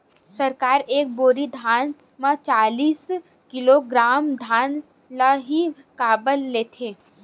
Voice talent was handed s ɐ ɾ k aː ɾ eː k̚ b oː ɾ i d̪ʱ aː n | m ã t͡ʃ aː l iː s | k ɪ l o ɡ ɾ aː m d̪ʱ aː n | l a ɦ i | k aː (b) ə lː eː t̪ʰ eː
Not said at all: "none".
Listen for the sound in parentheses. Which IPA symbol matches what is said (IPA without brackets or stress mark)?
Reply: b